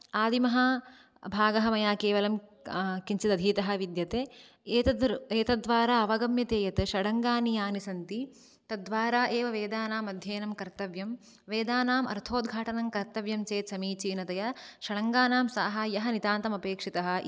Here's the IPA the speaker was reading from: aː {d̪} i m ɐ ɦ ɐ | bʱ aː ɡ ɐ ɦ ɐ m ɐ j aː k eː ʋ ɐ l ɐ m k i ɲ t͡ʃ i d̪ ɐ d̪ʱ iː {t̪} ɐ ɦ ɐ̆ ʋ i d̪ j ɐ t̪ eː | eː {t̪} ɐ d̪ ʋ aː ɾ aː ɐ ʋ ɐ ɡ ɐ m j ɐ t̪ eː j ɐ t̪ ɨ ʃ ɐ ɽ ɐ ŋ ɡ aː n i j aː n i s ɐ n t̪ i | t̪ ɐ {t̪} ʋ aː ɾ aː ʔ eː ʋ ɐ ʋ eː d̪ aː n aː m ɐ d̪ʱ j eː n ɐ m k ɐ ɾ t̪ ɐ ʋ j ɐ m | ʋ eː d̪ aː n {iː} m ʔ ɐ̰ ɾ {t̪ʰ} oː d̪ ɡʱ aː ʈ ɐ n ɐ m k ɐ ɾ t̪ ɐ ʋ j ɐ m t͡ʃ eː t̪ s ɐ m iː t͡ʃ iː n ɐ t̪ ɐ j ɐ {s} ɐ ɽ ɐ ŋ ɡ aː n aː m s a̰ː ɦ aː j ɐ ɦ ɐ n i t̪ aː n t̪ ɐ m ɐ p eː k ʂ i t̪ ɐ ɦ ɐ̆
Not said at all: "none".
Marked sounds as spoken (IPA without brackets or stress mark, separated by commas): d̪, t̪, t̪, d̪, aː, t̪ʰ, ʃ